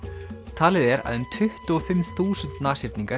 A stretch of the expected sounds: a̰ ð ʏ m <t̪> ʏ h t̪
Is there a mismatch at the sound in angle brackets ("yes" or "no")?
yes